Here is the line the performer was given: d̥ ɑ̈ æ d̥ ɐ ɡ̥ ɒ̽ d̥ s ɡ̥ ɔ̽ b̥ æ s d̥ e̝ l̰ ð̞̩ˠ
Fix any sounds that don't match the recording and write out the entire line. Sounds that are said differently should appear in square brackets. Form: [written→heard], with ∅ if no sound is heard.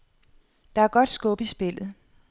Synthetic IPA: d̥ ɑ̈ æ [d̥→∅] ɐ ɡ̥ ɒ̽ d̥ s ɡ̥ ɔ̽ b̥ [æ→i] s [d̥→b̥] e̝ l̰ ð̞̩ˠ